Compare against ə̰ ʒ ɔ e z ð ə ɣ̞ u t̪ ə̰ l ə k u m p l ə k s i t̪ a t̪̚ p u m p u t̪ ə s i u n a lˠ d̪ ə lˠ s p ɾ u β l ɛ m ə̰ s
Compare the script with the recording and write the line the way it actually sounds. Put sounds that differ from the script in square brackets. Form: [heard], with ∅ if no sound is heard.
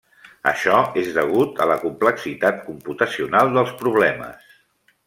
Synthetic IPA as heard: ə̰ [ʃ] ɔ e z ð ə ɣ̞ u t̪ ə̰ l ə k u m p l ə k s i t̪ a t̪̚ [k] u m p u t̪ ə s i u n a lˠ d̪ ə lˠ s p ɾ u β l ɛ m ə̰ s